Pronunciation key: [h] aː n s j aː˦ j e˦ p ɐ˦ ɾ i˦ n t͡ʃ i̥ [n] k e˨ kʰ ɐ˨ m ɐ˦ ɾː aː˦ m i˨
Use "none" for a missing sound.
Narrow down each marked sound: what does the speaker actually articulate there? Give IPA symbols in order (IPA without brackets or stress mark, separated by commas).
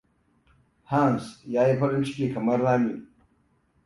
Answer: h, none